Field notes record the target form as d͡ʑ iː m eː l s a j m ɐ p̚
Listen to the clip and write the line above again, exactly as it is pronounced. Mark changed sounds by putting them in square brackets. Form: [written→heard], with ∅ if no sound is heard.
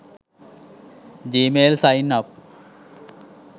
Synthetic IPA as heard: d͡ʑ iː m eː l s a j [m→n] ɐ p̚